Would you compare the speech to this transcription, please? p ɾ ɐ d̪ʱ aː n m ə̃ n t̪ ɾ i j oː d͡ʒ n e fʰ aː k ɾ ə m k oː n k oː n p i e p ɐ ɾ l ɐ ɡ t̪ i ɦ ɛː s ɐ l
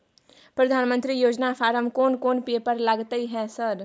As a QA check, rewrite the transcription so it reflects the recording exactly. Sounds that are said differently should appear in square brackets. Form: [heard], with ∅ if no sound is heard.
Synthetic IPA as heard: p ɾ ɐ d̪ʱ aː n m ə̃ n t̪ ɾ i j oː d͡ʒ n [a] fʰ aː [∅] ɾ ə m k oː n k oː n p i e p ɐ ɾ l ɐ ɡ t̪ i ɦ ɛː s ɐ [ɾ]